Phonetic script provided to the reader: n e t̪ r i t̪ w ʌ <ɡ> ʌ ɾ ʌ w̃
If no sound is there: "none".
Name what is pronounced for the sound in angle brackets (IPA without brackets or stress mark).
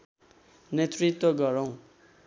ɡ